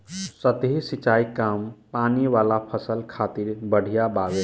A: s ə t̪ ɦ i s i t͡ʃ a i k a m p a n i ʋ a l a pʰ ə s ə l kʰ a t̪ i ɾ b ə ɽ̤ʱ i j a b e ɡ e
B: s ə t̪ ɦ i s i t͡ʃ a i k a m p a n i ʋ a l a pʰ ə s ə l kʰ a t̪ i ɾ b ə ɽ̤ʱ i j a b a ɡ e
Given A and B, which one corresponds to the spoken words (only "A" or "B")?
B